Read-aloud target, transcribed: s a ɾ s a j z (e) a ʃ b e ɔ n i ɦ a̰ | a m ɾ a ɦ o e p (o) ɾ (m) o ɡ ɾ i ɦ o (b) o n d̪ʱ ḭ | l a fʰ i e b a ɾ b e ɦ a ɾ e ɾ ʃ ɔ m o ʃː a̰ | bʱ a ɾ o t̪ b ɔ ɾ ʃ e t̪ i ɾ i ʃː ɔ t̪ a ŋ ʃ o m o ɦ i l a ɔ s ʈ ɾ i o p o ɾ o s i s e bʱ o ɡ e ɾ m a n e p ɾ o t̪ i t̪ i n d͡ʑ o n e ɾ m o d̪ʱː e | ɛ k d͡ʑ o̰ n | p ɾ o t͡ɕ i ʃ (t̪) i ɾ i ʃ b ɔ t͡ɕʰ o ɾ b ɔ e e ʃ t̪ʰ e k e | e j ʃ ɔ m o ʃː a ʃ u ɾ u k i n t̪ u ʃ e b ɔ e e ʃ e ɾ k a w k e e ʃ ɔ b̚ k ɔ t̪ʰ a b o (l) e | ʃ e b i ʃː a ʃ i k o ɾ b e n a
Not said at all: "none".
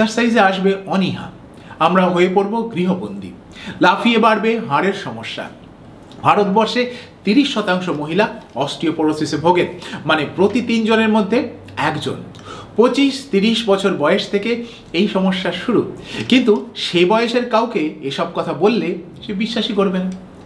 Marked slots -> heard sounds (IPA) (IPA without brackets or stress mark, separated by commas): e, o, b, b, t̪, lː